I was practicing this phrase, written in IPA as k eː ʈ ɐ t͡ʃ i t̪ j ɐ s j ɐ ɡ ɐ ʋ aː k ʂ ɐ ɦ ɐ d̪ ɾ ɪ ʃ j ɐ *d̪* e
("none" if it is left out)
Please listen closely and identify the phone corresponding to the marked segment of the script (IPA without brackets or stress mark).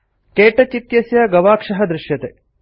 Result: t̪